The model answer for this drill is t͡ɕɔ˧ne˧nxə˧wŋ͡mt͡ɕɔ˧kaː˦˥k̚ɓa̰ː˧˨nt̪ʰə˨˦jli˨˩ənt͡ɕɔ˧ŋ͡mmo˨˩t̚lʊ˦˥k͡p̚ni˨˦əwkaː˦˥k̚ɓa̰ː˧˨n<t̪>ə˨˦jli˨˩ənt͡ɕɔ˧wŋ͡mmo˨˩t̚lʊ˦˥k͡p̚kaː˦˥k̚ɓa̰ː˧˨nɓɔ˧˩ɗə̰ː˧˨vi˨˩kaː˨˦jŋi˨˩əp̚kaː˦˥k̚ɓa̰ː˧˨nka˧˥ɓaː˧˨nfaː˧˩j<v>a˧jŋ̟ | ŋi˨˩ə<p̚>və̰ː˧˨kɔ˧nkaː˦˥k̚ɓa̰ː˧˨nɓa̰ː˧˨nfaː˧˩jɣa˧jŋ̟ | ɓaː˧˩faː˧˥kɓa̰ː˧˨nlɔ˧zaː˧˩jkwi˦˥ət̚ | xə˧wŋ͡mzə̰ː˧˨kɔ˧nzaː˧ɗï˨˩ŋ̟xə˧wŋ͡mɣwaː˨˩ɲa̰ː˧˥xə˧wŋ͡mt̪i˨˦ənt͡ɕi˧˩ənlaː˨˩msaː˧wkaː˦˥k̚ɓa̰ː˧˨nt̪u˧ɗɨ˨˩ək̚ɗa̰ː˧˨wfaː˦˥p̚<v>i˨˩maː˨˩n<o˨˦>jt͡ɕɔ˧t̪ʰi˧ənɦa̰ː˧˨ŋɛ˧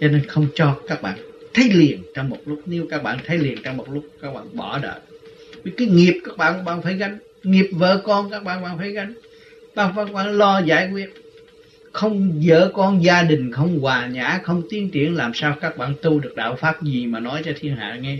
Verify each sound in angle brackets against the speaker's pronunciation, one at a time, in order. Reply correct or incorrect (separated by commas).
incorrect, incorrect, correct, incorrect, incorrect